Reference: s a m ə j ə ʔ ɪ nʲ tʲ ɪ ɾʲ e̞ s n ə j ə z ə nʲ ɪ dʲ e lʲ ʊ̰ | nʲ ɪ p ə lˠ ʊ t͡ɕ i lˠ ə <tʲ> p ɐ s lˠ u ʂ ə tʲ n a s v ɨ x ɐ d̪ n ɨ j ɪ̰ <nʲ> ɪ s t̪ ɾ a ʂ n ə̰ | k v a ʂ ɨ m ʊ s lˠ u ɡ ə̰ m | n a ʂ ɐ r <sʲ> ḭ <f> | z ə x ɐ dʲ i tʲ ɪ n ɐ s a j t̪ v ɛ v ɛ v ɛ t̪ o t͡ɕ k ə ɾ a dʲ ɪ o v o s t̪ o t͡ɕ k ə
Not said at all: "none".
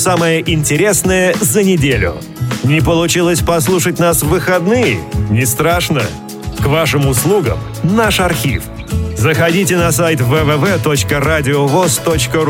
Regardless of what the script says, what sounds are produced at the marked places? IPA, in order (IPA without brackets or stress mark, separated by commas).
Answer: sʲ, nʲ, xʲ, f